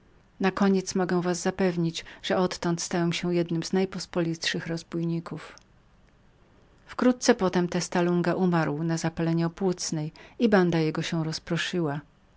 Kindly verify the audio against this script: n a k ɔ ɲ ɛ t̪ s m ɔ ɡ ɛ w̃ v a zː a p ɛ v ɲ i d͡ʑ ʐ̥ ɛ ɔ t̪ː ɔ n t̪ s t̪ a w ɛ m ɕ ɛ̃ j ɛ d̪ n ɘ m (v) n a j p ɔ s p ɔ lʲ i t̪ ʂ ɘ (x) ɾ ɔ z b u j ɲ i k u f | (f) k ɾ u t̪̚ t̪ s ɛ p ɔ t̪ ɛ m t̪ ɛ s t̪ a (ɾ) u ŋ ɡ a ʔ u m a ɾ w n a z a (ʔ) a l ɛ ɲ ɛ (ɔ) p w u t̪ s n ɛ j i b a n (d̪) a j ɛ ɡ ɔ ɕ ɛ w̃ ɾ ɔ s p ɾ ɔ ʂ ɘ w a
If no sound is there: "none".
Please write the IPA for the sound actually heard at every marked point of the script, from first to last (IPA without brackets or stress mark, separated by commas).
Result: z, x, f, l, p, ɔ, d̪